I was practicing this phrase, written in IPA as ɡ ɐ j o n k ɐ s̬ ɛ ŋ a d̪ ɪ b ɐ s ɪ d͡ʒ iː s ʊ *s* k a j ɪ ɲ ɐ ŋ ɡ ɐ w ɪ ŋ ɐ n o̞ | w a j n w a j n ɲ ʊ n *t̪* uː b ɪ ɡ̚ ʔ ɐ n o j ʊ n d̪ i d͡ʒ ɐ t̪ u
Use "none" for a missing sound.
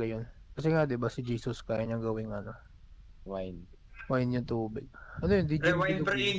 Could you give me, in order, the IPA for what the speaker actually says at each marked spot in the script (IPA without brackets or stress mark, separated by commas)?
s, t̪